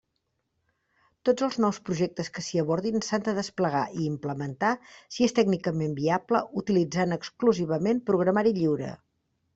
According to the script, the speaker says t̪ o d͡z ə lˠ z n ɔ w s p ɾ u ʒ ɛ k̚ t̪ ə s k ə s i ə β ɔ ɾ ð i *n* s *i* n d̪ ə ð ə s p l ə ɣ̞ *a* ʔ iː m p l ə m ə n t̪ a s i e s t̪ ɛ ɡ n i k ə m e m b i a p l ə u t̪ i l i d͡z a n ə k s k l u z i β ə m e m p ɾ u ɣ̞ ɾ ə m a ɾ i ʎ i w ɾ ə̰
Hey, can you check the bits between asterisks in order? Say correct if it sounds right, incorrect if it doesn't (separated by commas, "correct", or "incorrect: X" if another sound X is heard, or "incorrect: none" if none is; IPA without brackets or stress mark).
correct, incorrect: a, correct